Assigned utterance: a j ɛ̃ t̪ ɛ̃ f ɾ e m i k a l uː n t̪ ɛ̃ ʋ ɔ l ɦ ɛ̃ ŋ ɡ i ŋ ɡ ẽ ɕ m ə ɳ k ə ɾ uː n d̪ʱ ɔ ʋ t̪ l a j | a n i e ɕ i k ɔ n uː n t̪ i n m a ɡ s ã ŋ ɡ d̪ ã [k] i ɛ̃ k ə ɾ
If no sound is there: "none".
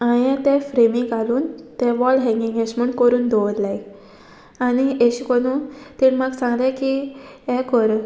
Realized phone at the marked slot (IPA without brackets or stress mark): k